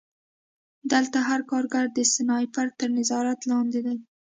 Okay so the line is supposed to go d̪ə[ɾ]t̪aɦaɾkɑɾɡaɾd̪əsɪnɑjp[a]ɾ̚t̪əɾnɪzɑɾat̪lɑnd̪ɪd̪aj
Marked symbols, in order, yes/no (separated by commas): no, yes